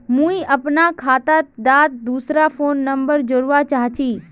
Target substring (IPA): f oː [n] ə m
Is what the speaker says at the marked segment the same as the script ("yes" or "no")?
no